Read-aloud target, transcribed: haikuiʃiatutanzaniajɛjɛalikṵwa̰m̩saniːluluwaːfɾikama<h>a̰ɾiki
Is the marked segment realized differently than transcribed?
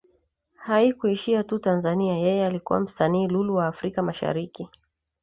yes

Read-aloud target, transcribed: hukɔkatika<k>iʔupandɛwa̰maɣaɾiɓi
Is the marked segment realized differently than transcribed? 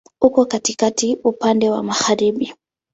yes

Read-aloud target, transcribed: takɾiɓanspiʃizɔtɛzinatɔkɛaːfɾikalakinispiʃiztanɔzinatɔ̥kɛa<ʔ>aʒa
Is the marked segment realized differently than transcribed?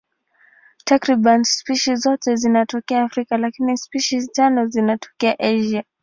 no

